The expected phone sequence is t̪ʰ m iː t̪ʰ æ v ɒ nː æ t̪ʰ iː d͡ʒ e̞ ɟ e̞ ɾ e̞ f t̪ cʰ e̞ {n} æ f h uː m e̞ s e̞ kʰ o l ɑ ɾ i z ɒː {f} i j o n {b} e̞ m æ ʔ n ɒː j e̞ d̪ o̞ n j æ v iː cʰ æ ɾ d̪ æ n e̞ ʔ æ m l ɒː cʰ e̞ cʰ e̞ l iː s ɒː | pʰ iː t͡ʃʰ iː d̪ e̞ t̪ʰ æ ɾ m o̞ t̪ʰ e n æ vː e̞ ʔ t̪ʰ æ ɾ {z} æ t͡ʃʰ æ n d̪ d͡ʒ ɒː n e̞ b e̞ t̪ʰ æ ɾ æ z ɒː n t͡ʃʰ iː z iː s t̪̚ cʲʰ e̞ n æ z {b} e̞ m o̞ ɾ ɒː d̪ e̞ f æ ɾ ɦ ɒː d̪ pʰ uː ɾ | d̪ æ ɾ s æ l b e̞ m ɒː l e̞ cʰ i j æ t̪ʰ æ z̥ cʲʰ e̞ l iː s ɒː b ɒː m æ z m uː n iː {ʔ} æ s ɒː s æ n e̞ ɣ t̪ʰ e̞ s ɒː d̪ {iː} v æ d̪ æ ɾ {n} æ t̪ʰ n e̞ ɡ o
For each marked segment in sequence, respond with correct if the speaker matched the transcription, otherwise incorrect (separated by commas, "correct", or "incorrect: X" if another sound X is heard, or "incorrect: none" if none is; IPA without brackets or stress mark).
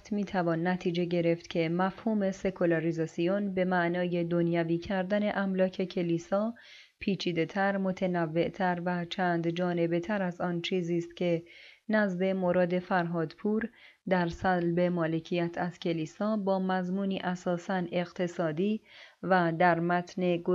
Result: incorrect: m, incorrect: s, correct, incorrect: v, correct, correct, correct, incorrect: m